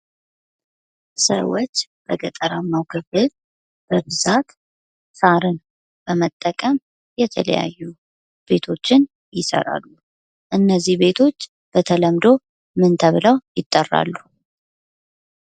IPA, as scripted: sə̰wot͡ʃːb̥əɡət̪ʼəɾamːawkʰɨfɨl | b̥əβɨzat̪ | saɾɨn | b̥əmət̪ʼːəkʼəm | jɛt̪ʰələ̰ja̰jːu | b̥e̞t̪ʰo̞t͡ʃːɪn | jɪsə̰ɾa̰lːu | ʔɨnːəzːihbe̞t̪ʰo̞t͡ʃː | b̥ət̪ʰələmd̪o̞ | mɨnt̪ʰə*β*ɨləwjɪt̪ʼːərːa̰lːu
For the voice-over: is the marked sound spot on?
yes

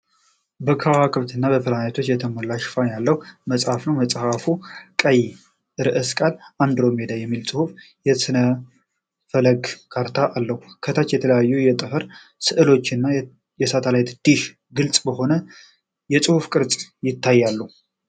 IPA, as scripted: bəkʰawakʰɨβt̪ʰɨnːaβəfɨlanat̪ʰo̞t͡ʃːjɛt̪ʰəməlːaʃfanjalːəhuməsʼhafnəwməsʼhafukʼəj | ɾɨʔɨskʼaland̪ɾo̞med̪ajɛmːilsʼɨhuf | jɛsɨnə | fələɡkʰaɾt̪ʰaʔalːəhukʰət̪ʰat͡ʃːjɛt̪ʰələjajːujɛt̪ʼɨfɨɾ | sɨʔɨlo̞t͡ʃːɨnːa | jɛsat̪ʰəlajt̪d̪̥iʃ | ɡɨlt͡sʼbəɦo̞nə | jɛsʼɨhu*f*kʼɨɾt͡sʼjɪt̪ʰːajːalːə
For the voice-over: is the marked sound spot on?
yes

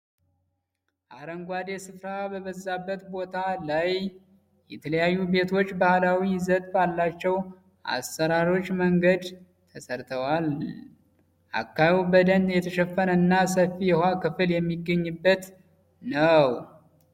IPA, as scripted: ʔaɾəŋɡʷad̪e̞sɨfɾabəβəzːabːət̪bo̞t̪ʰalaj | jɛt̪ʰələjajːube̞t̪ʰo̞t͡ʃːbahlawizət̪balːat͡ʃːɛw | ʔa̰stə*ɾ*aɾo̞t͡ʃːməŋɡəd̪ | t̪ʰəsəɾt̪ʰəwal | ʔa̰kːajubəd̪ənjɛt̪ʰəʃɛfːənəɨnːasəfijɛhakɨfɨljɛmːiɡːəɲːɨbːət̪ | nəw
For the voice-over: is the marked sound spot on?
yes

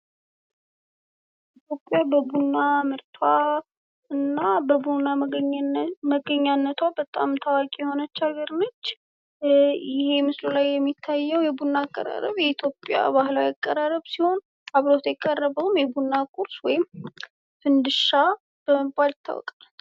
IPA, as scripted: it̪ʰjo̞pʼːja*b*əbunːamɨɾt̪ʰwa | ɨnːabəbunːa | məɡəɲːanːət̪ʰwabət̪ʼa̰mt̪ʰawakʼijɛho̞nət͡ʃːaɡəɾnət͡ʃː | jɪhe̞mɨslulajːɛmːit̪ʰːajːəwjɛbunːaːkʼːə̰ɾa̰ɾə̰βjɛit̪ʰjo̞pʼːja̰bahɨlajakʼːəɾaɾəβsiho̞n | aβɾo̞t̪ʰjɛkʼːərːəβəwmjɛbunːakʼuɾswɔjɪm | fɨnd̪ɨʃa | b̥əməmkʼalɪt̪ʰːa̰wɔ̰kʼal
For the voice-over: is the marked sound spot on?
yes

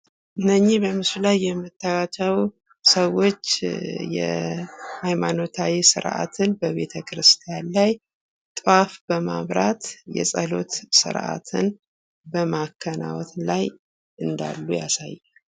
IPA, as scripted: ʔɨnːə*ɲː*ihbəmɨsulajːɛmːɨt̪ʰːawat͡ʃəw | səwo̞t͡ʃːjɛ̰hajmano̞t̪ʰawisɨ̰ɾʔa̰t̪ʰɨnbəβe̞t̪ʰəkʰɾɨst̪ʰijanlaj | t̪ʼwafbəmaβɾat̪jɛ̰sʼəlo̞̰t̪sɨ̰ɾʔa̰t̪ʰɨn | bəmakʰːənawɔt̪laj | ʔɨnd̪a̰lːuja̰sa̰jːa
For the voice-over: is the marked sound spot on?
yes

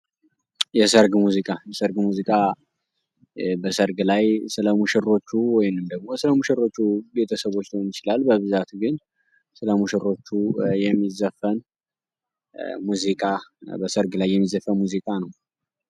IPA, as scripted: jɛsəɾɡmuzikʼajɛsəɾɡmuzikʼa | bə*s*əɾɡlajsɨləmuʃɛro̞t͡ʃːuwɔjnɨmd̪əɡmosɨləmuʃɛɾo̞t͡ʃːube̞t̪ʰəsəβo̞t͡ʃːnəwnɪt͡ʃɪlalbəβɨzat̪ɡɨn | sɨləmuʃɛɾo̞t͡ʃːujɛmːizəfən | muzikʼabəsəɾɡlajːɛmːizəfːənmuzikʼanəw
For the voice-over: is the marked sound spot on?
yes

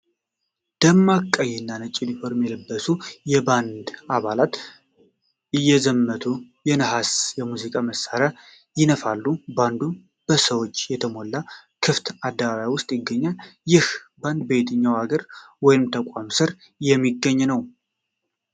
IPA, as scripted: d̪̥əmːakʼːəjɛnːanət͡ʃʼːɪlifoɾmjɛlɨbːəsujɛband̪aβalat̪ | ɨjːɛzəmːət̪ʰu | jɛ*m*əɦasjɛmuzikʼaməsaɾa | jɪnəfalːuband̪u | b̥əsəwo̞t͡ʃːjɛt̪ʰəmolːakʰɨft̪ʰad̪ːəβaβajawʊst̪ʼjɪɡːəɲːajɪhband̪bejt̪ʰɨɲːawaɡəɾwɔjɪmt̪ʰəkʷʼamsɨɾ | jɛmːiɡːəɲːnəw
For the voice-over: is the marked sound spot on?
no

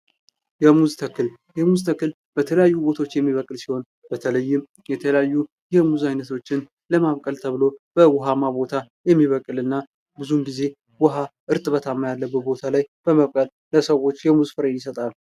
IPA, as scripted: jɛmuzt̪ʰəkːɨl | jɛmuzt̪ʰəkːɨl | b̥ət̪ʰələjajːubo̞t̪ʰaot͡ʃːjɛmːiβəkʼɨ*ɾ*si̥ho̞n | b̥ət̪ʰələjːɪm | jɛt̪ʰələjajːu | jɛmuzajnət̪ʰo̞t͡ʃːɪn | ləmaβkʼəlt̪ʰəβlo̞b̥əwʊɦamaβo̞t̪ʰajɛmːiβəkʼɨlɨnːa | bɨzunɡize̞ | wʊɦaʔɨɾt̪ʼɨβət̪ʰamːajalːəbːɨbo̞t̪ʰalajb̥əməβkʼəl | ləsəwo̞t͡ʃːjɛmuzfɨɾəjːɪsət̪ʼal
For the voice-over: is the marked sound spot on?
no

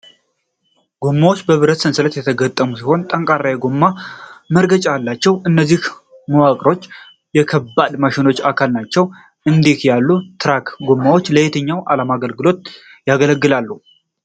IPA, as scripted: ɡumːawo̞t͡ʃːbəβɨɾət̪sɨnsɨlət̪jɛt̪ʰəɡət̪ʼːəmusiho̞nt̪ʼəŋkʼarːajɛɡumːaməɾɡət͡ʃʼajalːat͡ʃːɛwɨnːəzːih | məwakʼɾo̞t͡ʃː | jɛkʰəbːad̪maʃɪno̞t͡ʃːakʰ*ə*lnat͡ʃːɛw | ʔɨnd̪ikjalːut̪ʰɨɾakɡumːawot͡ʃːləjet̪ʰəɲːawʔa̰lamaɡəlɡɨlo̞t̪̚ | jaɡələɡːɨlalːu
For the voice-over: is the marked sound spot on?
no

